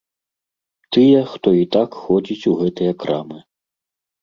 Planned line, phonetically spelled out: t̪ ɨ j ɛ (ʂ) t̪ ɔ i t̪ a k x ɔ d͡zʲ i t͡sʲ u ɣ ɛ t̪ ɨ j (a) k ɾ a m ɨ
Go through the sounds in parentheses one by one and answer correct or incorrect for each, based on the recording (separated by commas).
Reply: incorrect, incorrect